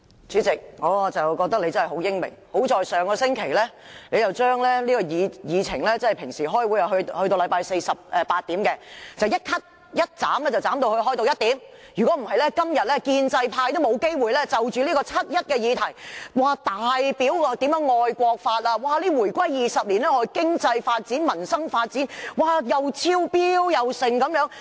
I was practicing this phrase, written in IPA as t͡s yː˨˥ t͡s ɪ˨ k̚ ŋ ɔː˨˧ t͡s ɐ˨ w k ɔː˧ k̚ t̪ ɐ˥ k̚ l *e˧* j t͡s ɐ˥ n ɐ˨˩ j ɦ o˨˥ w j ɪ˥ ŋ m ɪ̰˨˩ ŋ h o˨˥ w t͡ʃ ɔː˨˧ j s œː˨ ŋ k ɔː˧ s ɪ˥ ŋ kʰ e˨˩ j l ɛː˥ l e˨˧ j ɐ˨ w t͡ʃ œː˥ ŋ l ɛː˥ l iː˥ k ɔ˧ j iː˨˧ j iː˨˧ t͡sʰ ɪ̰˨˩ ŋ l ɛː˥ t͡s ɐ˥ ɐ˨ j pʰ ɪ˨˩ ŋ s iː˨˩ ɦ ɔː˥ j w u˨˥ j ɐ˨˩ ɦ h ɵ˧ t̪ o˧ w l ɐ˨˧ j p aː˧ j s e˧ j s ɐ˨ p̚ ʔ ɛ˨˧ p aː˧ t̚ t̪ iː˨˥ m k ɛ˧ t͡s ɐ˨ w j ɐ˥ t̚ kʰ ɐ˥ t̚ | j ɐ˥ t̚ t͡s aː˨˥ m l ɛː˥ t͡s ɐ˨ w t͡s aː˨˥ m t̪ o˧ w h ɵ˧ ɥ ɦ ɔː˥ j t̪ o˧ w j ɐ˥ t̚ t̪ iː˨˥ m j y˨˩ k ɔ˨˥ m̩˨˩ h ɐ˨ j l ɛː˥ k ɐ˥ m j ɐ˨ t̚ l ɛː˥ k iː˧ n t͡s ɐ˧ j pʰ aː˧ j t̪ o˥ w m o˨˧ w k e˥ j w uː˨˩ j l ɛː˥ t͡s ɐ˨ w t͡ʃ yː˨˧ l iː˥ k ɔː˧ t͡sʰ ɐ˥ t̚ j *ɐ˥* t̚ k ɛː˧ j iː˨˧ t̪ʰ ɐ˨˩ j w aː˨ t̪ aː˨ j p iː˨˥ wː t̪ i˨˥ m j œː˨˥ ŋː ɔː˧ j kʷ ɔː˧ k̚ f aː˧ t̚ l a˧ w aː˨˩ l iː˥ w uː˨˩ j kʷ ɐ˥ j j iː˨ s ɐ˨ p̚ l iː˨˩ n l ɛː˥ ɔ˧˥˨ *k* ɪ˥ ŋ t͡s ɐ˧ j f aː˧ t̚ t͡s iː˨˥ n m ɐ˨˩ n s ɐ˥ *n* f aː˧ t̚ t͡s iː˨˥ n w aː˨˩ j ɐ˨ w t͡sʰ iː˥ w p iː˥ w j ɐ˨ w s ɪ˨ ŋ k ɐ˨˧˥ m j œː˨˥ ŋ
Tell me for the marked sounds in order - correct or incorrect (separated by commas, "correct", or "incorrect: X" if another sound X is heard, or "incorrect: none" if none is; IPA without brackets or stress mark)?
correct, correct, correct, incorrect: ŋ